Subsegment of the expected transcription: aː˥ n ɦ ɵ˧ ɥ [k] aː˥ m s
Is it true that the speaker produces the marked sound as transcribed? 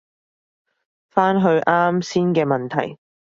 no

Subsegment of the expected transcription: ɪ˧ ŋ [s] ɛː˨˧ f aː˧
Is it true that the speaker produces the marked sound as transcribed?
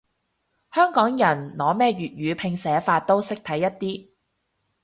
yes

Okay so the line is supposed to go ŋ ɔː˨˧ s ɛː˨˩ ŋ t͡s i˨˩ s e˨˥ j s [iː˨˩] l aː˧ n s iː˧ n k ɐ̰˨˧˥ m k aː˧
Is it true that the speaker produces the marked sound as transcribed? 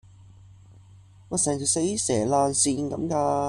no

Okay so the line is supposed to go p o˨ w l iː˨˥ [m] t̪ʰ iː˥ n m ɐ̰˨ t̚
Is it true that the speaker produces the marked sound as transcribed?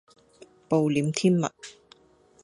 yes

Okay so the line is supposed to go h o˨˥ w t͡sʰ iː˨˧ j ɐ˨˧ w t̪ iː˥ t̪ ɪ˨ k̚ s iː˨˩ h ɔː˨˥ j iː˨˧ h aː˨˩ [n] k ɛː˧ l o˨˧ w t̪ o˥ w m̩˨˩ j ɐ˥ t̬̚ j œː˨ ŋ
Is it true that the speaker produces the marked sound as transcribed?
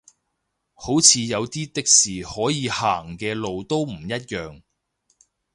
no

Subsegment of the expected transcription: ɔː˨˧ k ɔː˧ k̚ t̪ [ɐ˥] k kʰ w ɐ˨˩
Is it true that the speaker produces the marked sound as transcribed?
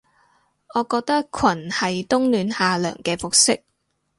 yes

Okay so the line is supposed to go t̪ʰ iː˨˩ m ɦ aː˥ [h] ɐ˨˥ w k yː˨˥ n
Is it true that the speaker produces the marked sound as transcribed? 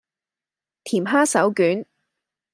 no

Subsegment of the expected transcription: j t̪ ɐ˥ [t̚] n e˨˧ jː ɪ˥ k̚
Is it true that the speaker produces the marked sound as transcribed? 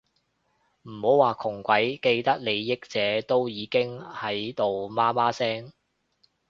no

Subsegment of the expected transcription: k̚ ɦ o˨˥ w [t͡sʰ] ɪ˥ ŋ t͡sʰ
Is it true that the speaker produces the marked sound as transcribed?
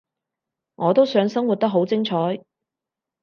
no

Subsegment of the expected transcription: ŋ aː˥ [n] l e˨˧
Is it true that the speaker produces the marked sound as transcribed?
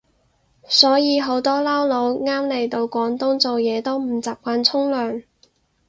no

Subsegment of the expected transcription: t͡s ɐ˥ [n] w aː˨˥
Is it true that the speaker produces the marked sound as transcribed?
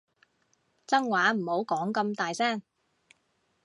no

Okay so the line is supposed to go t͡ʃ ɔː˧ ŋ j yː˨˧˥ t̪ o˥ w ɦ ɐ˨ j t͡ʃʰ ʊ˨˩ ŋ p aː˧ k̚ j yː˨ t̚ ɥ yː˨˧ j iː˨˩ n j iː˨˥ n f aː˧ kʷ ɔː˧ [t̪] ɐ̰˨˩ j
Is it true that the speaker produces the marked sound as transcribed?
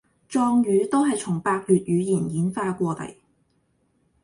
yes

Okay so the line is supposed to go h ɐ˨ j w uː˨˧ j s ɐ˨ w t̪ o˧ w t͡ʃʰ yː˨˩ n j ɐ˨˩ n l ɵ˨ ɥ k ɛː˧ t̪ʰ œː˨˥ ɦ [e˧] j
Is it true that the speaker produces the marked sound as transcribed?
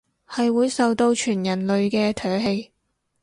yes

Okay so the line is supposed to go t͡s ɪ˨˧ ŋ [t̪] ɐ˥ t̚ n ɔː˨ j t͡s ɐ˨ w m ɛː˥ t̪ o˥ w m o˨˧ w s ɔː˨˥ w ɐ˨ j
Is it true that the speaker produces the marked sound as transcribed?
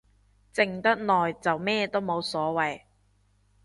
yes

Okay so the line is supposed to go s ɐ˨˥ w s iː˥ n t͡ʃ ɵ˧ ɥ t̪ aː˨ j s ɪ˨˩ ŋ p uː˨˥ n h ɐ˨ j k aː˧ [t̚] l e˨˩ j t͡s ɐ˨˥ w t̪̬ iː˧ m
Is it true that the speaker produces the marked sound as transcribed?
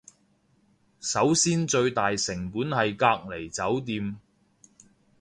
no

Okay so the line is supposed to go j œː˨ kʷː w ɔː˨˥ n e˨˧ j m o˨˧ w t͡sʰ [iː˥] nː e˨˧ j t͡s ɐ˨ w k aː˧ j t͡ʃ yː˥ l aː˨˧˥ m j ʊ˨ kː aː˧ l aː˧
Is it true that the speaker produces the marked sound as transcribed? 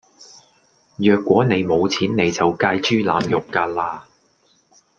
no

